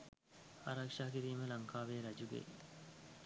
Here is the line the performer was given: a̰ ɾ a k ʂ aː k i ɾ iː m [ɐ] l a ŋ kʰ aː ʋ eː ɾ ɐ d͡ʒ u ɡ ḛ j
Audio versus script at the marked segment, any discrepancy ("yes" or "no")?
yes